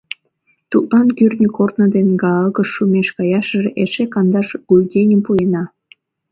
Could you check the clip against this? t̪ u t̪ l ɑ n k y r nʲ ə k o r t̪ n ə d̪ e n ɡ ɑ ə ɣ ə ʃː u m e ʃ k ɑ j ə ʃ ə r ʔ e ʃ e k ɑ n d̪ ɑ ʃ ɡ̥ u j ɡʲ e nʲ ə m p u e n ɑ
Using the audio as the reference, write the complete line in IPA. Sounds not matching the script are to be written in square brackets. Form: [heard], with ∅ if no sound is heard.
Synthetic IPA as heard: t̪ u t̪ l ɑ n k y r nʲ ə k o r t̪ n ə d̪ e n ɡ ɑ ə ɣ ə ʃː u m e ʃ k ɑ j [ɑ] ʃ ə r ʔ e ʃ e k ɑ n d̪ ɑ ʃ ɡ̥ u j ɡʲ e nʲ ə m p u e n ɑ